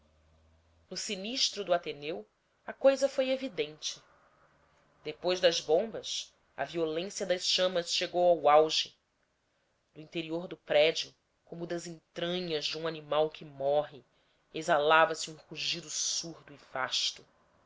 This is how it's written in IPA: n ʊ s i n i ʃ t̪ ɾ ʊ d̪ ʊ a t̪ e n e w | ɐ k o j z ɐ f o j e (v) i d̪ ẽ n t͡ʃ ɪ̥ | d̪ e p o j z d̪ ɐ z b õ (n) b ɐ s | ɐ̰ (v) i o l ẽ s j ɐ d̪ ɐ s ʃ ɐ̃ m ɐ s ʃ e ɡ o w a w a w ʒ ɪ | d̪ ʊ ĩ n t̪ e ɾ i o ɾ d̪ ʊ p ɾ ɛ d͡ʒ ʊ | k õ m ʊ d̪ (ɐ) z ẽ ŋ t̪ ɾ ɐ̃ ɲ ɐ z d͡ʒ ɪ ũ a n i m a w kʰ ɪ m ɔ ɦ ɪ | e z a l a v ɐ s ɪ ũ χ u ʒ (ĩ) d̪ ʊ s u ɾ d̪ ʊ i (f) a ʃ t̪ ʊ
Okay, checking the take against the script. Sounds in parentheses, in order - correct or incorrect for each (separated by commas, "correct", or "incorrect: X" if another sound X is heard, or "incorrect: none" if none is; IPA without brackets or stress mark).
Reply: correct, incorrect: m, correct, correct, incorrect: i, incorrect: v